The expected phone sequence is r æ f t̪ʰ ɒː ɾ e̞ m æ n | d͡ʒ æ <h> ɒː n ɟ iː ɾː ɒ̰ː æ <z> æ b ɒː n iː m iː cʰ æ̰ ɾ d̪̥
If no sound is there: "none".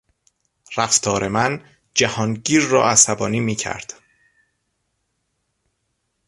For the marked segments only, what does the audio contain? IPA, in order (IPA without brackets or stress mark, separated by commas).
h, s